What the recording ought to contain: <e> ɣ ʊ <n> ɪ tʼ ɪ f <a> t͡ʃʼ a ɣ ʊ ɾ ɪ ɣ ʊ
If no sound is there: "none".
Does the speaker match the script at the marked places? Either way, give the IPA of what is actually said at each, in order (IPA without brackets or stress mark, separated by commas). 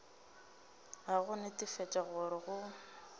a, n, ɛ